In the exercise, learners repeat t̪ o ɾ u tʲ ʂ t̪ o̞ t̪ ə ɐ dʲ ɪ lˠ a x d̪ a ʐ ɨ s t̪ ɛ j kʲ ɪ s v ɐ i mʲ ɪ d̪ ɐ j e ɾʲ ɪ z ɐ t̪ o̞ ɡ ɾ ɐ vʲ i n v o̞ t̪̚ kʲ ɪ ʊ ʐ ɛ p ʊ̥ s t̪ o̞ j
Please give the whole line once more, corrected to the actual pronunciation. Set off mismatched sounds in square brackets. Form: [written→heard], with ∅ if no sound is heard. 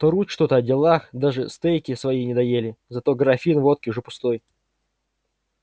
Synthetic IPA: t̪ o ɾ u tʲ ʂ t̪ o̞ t̪ ə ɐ dʲ ɪ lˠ a x d̪ a ʐ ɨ s t̪ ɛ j kʲ ɪ s v ɐ i [mʲ→nʲ] ɪ d̪ ɐ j e [ɾʲ→lʲ] ɪ z ɐ t̪ o̞ ɡ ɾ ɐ [vʲ→fʲ] i n v o̞ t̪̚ kʲ ɪ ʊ ʐ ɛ p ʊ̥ s t̪ o̞ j